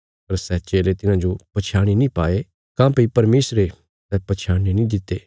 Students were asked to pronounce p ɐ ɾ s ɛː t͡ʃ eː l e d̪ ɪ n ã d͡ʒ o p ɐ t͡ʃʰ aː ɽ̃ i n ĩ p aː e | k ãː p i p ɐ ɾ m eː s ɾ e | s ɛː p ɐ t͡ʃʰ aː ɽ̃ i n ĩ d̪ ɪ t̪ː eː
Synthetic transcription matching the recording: p ɐ ɾ s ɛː t͡ʃ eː l e t̪ ɪ n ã d͡ʒ o p ɐ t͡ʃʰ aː ɽ̃ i n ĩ p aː e | k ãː p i p ɐ ɾ m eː s ɾ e | s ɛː p ɐ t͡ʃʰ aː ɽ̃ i n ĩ d̪ ɪ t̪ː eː